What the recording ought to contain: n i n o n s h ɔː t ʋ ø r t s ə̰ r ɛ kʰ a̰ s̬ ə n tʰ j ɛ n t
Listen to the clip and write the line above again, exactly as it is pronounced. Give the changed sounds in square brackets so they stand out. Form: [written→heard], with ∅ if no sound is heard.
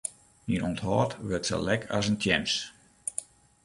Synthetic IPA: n i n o n [s→t] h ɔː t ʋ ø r t s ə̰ [r→l] ɛ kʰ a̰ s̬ ə n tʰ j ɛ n [t→s]